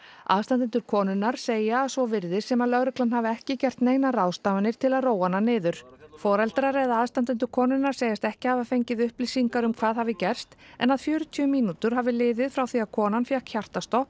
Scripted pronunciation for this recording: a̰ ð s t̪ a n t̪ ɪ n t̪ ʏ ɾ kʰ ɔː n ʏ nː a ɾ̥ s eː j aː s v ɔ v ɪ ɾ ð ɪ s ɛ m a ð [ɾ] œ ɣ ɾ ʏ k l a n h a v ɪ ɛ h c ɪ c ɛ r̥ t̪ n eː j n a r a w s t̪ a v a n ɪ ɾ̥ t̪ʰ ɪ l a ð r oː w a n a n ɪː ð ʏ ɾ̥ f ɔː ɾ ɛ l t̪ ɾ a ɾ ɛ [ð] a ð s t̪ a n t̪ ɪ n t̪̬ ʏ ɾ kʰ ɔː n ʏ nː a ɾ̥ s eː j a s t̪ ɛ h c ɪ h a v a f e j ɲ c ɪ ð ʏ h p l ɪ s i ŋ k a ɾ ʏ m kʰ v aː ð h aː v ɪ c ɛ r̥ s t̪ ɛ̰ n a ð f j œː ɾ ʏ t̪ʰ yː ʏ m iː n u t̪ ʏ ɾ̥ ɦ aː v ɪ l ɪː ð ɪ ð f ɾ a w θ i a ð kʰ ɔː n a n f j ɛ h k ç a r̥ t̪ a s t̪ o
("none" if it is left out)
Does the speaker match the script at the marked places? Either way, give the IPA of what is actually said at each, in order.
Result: l, ð

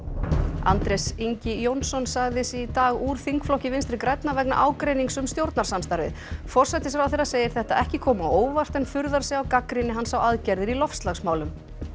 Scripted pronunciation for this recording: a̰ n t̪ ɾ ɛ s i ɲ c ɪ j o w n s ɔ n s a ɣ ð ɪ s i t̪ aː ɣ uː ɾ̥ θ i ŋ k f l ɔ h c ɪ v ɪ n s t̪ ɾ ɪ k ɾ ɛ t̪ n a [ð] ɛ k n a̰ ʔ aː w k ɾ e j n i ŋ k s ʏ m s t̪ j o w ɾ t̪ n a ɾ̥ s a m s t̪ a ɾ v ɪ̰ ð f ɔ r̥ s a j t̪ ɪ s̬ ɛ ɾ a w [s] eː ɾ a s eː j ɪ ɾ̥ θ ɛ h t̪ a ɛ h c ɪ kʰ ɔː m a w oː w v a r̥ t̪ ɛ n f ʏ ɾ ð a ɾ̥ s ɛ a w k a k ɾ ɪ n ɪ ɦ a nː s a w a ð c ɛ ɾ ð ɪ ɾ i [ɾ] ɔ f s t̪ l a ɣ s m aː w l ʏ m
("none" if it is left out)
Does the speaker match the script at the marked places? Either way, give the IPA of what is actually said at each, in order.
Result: v, θ, l

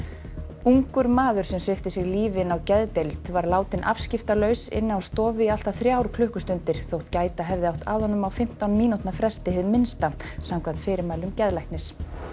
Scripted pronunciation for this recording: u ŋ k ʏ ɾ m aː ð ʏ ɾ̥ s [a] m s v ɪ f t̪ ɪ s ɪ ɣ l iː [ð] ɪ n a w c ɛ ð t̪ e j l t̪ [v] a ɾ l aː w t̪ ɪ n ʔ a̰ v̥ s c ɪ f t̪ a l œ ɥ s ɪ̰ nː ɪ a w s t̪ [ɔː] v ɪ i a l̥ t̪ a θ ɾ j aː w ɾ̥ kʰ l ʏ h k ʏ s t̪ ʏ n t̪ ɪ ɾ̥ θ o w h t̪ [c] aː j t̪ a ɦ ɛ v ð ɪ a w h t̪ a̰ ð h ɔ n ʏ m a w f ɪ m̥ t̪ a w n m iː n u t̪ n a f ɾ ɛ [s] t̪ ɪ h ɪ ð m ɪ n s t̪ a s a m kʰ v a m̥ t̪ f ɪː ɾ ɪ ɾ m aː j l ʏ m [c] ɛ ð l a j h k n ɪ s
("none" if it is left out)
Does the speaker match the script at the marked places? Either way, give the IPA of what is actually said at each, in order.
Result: ɛ, v, v, ɔː, c, s, c

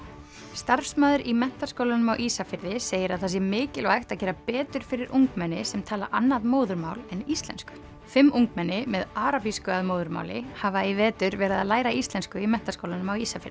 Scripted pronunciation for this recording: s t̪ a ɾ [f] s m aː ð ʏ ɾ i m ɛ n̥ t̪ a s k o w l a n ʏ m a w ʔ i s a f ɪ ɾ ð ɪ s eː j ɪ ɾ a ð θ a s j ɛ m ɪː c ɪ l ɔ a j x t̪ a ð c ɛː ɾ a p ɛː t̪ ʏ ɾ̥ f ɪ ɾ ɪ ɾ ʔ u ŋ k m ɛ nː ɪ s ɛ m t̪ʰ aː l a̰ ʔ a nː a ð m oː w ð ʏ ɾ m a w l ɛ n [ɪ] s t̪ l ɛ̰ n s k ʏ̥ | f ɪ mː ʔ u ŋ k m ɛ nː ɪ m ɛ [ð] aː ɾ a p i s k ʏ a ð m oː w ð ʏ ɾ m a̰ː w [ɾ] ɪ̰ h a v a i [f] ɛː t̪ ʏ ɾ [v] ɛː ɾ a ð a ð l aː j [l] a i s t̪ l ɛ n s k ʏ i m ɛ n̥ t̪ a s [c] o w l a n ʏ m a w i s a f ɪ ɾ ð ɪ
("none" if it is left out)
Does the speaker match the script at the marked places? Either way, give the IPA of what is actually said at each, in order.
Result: f, i, ð, l, v, v, ɾ, k

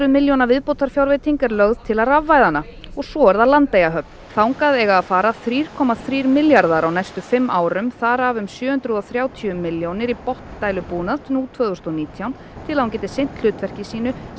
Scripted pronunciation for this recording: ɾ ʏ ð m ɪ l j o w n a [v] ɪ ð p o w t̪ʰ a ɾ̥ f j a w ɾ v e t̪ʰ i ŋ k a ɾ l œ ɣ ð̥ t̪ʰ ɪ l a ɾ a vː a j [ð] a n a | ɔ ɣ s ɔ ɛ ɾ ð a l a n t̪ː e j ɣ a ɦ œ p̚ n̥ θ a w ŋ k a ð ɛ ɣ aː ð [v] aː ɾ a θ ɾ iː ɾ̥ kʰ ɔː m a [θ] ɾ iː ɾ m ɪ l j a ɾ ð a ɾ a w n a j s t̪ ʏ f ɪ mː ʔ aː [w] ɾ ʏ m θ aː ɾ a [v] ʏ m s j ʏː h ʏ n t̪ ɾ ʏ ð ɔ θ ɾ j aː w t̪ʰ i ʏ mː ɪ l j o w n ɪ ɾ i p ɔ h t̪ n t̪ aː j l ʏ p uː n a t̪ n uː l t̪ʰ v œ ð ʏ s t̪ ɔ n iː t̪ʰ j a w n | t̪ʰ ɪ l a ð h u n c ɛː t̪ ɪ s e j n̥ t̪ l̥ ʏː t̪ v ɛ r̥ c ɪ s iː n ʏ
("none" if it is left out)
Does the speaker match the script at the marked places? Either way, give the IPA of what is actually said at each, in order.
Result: v, ð, f, θ, w, v

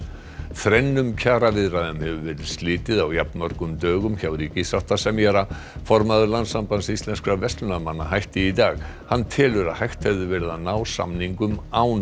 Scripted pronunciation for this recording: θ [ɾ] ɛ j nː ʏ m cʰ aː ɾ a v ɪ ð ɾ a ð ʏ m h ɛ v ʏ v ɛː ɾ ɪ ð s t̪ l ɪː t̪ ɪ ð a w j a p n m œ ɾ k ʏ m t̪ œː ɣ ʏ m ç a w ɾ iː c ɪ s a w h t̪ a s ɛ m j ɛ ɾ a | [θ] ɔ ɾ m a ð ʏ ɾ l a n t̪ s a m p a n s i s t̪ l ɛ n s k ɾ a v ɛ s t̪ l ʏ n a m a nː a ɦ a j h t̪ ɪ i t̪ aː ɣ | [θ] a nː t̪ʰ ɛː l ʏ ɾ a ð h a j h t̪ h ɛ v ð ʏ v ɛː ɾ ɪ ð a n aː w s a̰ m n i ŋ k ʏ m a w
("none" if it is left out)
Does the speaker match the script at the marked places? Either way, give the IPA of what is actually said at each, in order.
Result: ɾ, f, h

